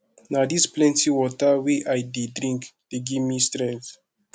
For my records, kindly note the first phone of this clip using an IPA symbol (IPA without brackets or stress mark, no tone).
n